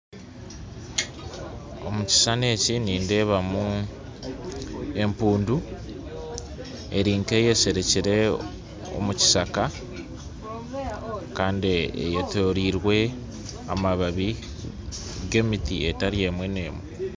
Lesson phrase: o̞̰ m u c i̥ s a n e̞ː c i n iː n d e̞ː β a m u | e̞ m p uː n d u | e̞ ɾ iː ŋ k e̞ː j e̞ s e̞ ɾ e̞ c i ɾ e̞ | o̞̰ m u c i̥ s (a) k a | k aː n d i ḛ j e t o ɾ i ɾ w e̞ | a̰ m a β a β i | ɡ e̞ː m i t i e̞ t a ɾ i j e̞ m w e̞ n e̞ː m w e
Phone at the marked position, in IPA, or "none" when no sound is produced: a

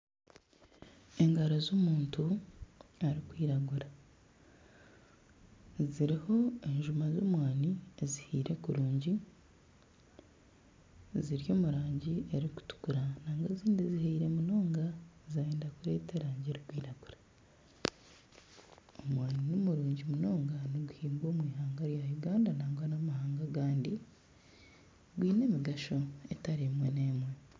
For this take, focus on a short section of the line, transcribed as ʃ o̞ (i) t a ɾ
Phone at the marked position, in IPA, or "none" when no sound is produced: e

